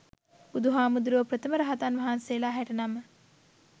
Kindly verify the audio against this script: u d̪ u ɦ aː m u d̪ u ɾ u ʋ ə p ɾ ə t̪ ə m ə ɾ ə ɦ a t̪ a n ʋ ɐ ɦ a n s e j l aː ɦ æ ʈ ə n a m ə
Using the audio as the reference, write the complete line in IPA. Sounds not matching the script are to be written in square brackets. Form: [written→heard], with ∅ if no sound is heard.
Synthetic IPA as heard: u d̪ u ɦ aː m u d̪ u ɾ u ʋ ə p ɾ ə t̪ ə m ə ɾ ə ɦ a t̪ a n ʋ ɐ ɦ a n s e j l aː ɦ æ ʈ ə n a m ə